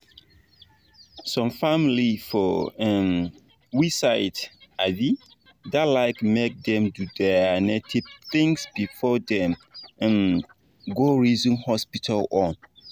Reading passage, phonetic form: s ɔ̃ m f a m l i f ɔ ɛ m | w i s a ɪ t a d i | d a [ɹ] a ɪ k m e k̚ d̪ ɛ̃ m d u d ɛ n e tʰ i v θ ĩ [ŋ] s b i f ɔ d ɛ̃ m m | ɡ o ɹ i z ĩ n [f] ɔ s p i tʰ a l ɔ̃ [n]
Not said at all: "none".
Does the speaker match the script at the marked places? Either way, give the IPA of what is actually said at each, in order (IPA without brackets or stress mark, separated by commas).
l, ŋ, h, n